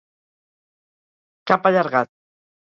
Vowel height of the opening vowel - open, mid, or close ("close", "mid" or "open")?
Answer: open